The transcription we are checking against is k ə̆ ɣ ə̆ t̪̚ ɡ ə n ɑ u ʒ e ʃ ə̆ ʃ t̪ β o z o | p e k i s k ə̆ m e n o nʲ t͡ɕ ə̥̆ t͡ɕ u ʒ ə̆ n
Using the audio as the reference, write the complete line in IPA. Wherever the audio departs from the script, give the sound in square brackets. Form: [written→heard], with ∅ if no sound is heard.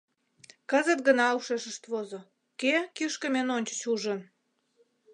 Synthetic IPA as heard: k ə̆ [ɣ→z] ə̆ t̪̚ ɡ ə n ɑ u [ʒ→ʃ] e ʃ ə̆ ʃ t̪ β o z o | [p→k] e k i [s→ʃ] k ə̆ m e n o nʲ t͡ɕ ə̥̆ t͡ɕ u ʒ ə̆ n

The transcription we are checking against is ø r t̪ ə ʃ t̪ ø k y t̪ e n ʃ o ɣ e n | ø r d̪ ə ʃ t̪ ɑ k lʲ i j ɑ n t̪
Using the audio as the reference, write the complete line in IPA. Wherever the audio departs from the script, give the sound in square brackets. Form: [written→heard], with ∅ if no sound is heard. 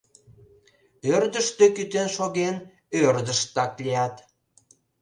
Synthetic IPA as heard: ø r [t̪→d̪] ə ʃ t̪ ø k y t̪ e n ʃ o ɣ e n | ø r d̪ ə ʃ t̪ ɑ k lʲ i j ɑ [n→∅] t̪

